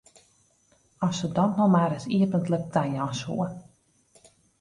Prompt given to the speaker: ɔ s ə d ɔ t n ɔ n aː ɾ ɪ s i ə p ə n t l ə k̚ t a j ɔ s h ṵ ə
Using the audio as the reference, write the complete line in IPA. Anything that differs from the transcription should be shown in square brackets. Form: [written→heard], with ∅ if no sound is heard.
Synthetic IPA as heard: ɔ s ə d ɔ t n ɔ [n→m] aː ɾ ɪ s i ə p ə n t l ə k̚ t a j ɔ s h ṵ ə